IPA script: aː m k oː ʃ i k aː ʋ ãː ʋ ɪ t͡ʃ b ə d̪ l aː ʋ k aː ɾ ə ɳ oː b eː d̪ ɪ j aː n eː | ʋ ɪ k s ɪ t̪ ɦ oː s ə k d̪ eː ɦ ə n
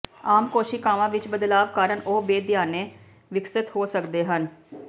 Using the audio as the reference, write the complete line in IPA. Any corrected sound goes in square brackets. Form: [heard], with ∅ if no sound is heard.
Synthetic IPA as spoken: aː m k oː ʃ i k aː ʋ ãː ʋ ɪ t͡ʃ b ə d̪ l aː ʋ k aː ɾ ə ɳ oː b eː d̪ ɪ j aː n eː | ʋ ɪ k s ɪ t̪ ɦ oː s ə k d̪ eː ɦ ə n